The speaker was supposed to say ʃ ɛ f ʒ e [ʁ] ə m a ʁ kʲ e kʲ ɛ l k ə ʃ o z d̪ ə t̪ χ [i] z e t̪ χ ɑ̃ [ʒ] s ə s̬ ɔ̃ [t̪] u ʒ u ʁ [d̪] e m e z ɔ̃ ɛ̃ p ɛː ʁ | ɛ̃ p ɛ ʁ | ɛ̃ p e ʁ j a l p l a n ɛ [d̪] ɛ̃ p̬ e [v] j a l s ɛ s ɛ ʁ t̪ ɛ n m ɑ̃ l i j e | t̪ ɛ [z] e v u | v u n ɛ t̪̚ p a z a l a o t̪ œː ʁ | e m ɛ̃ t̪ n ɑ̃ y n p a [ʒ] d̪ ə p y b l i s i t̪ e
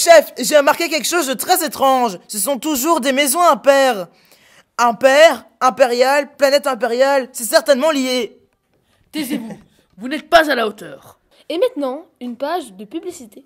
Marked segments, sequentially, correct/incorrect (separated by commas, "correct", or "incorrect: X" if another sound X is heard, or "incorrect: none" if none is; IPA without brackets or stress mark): correct, incorrect: ɛ, correct, correct, correct, incorrect: t̪, incorrect: ʁ, correct, correct